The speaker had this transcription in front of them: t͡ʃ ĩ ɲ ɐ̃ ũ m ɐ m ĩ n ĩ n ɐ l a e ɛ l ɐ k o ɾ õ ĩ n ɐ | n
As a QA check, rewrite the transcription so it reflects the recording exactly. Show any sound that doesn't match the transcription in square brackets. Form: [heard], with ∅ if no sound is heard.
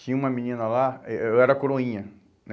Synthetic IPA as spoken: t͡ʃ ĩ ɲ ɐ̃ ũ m ɐ m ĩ n ĩ n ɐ l a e ɛ [ɾ] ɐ k o ɾ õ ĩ [ɲ] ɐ | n